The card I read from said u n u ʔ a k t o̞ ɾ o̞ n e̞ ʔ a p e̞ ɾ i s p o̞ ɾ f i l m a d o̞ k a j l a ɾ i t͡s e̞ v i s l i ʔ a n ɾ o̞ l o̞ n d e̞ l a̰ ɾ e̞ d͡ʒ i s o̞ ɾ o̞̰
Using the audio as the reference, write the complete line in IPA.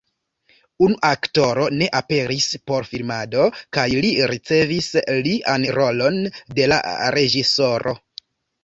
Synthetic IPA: u n u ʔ a k t o̞ ɾ o̞ n e̞ ʔ a p e̞ ɾ i s p o̞ ɾ f i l m a d o̞ k a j l i ɾ i t͡s e̞ v i s l i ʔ a n ɾ o̞ l o̞ n d e̞ l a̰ ɾ e̞ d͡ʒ i s o̞ ɾ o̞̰